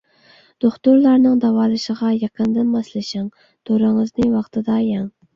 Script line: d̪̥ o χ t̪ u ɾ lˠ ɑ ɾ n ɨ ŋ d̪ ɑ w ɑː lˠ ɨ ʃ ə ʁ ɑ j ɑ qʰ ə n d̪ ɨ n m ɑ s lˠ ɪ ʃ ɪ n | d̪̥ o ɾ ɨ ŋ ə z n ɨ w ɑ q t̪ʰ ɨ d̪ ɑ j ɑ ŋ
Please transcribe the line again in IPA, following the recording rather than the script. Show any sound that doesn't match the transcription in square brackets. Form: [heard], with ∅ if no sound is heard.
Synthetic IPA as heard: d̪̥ o χ t̪ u ɾ lˠ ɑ ɾ n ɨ ŋ d̪ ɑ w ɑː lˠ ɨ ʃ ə ʁ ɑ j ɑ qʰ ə n d̪ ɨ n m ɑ s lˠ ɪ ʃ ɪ [ŋ] | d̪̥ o ɾ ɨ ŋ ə z n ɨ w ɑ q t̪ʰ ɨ d̪ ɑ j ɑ ŋ